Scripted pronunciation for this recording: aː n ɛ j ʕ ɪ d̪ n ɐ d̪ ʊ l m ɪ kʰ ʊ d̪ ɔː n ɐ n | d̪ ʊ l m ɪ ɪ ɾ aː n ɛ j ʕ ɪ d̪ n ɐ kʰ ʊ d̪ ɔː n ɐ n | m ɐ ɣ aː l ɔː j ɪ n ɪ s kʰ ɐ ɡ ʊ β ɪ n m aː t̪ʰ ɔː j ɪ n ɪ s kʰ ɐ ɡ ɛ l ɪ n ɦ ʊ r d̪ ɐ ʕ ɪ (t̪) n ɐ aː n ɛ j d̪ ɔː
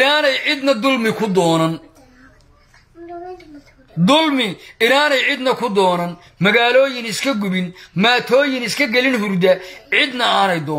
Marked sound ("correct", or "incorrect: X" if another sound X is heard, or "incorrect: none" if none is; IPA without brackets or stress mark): incorrect: d̪